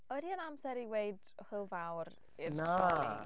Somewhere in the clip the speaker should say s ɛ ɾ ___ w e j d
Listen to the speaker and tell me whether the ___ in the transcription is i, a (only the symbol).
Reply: i